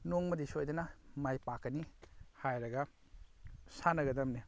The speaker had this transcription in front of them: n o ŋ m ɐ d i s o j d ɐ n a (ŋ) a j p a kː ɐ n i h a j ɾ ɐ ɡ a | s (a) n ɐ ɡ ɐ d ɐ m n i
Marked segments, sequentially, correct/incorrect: incorrect, correct

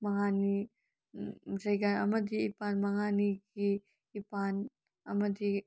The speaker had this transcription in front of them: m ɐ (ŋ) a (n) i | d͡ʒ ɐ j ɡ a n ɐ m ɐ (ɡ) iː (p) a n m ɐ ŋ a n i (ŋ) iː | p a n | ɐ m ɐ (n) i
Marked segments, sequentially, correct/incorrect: correct, correct, incorrect, correct, incorrect, incorrect

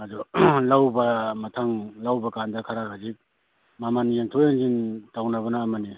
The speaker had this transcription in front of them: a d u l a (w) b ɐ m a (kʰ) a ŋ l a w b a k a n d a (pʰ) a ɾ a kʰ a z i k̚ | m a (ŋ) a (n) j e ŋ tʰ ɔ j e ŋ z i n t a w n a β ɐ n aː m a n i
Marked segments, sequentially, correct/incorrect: correct, incorrect, incorrect, incorrect, correct

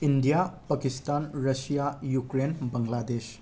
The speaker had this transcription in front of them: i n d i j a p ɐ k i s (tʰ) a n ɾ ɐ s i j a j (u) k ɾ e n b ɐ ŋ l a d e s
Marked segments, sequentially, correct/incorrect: incorrect, correct

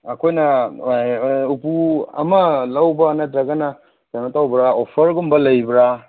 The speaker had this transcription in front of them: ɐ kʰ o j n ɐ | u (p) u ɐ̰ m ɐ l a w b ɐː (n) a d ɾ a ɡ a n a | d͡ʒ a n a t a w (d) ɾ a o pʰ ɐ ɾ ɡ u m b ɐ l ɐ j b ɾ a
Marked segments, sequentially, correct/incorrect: correct, correct, incorrect

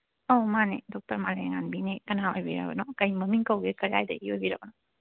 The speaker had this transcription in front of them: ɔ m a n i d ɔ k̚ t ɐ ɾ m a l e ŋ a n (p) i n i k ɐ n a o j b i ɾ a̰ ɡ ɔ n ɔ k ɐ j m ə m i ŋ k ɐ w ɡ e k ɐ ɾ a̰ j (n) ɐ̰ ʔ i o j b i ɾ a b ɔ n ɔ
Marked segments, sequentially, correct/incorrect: incorrect, incorrect

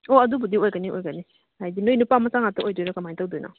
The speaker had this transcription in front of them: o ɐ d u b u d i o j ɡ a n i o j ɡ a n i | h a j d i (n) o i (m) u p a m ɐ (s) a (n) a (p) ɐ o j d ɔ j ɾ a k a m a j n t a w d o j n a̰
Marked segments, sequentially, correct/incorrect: correct, incorrect, correct, incorrect, incorrect

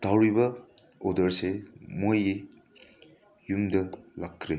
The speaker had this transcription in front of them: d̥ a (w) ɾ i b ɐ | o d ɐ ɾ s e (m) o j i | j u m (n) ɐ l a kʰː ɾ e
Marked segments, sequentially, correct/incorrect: correct, correct, incorrect

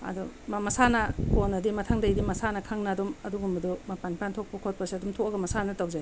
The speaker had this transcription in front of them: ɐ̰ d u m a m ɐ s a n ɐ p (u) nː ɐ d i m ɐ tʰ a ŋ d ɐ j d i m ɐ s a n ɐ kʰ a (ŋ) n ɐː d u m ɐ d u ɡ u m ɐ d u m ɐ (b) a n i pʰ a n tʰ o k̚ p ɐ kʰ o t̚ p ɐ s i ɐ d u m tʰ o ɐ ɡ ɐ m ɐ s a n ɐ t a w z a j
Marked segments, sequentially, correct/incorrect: incorrect, correct, incorrect

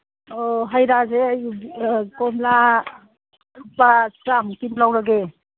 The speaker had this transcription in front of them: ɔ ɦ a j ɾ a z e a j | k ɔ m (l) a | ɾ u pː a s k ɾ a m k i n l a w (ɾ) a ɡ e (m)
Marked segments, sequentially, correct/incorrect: correct, correct, incorrect

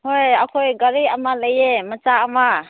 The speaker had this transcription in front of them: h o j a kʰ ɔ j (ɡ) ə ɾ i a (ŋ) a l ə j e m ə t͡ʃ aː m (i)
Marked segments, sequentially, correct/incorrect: correct, incorrect, incorrect

